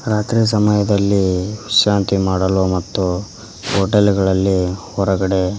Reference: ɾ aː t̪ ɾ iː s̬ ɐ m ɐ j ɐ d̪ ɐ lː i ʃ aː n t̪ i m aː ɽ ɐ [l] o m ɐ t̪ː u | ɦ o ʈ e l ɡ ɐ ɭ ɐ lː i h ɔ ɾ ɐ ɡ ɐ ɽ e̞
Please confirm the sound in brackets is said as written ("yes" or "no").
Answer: yes